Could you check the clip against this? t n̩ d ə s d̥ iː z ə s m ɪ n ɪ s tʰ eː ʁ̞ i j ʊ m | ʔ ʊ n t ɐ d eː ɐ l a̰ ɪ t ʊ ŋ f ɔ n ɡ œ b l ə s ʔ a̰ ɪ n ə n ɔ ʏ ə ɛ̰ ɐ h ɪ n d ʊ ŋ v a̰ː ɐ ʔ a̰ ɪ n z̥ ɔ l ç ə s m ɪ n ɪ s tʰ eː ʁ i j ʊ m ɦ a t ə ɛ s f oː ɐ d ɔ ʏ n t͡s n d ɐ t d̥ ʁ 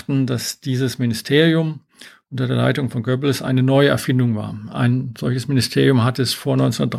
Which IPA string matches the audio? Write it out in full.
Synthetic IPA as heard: t n̩ d a s d̥ iː z ə s m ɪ n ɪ s tʰ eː ʁ̞ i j ʊ m | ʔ ʊ n t ɐ d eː ɐ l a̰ ɪ t ʊ ŋ f ɔ n ɡ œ b l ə s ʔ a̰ ɪ n ə n ɔ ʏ ə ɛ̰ ɐ f ɪ n d ʊ ŋ v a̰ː ɐ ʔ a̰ ɪ n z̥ ɔ l ç ə s m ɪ n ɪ s tʰ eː ʁ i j ʊ m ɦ a t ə ɛ s f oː ɐ n ɔ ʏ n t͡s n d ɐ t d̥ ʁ